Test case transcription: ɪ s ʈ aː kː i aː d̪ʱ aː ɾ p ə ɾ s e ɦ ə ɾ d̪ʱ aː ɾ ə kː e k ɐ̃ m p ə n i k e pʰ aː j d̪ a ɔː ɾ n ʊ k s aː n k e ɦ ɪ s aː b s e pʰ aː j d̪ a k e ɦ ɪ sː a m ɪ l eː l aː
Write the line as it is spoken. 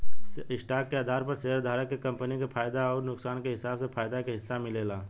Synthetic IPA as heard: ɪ s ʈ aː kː e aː d̪ʱ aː ɾ p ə ɾ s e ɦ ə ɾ d̪ʱ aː ɾ ə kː e k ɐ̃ m p ə n i k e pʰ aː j d̪ a ɔː ɾ n ʊ k s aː n k e ɦ ɪ s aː b s e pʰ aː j d̪ a k e ɦ ɪ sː a m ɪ l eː l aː